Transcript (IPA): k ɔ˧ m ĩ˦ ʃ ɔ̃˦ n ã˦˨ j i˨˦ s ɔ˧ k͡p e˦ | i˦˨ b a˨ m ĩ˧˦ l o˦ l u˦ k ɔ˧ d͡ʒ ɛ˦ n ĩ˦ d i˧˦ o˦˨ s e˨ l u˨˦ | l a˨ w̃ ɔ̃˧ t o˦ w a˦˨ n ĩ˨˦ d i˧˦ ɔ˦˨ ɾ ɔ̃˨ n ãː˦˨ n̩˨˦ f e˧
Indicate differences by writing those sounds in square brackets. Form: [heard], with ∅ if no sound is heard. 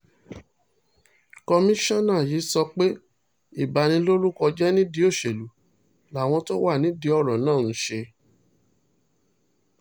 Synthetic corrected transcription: k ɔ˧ m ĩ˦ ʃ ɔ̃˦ n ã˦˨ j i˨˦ s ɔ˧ k͡p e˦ | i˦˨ b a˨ [n] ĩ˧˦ l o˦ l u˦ k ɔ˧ d͡ʒ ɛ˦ n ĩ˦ d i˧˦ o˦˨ [ʃ] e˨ l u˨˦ | l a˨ w̃ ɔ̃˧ t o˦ w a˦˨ n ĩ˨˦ d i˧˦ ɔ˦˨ ɾ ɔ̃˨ n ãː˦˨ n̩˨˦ [ʃ] e˧

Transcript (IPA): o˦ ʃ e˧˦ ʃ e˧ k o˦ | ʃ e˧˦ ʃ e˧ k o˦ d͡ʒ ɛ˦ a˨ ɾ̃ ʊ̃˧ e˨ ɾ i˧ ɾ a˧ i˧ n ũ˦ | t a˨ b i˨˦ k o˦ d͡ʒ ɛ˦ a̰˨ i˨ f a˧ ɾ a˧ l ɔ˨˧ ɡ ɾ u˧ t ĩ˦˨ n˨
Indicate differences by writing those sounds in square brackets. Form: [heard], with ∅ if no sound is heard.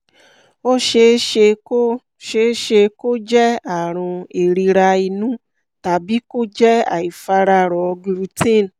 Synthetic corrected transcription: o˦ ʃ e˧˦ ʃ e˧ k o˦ | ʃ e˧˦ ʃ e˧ k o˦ d͡ʒ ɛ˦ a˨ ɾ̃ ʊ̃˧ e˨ ɾ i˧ ɾ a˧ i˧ n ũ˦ | t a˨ b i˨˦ k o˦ d͡ʒ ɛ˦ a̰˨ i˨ f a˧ ɾ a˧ [ɾ] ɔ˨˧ ɡ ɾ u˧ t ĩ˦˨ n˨

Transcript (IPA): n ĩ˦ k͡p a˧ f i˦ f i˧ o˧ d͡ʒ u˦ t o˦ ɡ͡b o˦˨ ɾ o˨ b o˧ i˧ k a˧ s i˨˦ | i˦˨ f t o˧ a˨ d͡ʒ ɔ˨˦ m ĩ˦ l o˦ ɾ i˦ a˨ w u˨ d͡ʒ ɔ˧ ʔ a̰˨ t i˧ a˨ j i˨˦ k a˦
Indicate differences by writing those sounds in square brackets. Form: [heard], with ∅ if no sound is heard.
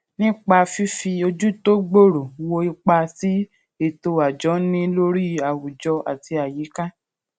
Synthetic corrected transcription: n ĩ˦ k͡p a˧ f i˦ f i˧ o˧ d͡ʒ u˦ t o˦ ɡ͡b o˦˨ ɾ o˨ [w] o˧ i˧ [k͡p] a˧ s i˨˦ | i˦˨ [∅] t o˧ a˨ d͡ʒ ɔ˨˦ [n] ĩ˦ l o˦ ɾ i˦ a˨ w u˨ d͡ʒ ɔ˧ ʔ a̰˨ t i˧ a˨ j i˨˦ k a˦

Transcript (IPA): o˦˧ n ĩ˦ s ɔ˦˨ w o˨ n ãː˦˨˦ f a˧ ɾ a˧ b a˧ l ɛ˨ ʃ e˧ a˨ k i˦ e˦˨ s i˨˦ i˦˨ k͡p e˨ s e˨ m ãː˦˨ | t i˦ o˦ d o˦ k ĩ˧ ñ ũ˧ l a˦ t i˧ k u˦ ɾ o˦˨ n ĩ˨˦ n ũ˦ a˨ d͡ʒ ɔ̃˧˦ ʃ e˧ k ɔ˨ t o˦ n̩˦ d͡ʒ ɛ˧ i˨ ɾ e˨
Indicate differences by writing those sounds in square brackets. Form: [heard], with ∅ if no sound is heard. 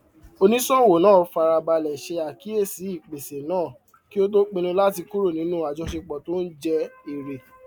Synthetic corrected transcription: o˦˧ n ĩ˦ s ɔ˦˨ w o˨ n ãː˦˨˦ f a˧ ɾ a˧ b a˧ l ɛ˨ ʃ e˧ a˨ k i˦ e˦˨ s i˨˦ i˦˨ k͡p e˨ s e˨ [n] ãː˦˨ | [k] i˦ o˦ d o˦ [k͡p] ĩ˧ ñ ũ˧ l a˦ t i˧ k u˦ ɾ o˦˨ n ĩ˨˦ n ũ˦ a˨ d͡ʒ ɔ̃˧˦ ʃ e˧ [k͡p] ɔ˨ t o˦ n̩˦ d͡ʒ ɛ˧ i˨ ɾ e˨

